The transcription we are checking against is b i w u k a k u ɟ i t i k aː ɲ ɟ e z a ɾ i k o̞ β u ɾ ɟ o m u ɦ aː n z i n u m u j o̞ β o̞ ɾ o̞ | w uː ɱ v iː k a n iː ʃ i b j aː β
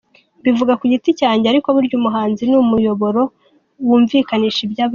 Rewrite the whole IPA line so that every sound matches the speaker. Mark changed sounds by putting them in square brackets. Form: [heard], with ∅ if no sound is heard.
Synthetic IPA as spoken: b i [v] u [ɡ] a k u ɟ i t i [c] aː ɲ ɟ e [∅] a ɾ i k o̞ β u ɾ ɟ [u] m u ɦ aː n z i n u m u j o̞ β o̞ ɾ o̞ | w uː ɱ v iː k a n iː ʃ i b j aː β